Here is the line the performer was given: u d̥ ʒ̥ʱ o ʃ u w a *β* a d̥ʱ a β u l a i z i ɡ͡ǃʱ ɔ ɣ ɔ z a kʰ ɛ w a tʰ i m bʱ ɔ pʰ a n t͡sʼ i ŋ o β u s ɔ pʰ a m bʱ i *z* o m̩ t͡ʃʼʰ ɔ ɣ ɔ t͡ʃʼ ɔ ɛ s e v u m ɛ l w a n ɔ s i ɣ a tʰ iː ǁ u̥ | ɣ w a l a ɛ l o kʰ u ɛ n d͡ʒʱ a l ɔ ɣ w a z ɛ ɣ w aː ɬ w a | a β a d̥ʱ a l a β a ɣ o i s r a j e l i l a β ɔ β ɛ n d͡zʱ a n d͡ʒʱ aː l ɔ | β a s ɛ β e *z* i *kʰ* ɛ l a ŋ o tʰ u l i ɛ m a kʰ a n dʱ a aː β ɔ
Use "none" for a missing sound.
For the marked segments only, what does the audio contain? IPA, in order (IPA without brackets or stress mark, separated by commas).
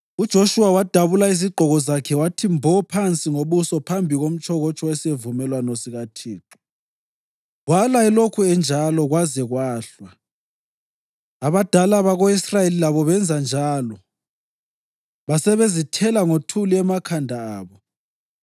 w, ɣ, z, tʰ